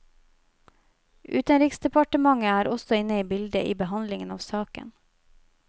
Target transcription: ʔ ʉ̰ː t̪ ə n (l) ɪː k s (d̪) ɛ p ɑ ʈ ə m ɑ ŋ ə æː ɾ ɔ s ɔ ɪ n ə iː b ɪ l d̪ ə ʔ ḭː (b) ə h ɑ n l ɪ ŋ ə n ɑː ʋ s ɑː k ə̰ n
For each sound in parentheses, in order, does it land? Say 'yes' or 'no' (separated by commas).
no, yes, yes